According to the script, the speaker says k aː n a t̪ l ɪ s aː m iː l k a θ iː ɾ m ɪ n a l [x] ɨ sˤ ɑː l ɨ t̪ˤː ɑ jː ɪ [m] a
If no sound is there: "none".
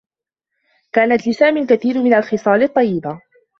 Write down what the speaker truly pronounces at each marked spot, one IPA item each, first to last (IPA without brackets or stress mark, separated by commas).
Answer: x, b